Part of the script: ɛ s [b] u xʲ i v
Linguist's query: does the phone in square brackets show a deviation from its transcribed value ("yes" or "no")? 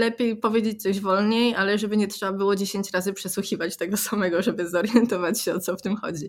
yes